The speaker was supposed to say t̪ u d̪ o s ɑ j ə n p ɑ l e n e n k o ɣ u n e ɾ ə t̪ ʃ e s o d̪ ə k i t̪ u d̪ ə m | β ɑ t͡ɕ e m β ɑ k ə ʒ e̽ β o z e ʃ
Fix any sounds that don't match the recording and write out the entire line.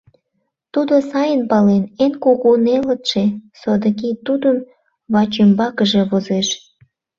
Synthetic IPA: t̪ u d̪ o s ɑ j ə n p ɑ l e n e n k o ɣ u n e l ə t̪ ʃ e s o d̪ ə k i t̪ u d̪ ə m | β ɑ t͡ɕ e m b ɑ k ə ʒ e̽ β o z e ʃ